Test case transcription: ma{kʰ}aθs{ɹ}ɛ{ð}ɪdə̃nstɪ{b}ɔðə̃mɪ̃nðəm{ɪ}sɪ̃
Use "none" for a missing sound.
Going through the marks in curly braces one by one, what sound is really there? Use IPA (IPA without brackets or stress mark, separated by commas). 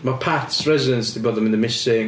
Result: pʰ, ɹ, z, b, ɪ